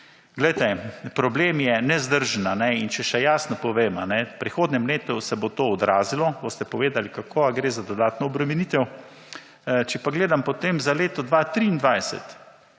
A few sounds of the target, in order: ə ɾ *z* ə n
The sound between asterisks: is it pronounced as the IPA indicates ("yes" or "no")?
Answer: no